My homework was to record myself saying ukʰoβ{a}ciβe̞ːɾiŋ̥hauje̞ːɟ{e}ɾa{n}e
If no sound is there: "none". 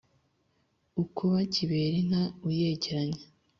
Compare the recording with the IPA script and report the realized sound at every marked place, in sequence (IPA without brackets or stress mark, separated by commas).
a, e, ɲ